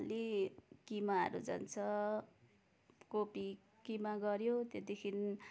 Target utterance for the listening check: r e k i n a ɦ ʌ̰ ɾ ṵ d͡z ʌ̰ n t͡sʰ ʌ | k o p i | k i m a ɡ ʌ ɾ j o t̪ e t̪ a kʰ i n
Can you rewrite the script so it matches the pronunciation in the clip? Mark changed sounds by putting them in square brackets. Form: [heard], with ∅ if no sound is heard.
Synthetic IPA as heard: [l] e k i [m] a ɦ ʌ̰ ɾ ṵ d͡z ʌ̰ n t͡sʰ ʌ | k o p i | k i m a ɡ ʌ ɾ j o t̪ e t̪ [i] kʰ i n